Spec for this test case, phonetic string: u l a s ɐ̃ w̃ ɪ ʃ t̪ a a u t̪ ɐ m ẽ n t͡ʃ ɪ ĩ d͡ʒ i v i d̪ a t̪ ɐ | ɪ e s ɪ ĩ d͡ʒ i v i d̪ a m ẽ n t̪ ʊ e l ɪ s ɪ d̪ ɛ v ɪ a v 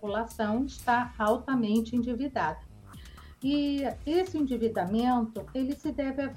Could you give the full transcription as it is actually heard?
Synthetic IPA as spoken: u l a s ɐ̃ w̃ ɪ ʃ t̪ a a w t̪ ɐ m ẽ n t͡ʃ ɪ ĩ d͡ʒ i v i d̪ a d̪ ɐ | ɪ e s ɪ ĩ d͡ʒ i v i d̪ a m ẽ n t̪ ʊ e l ɪ s ɪ d̪ ɛ v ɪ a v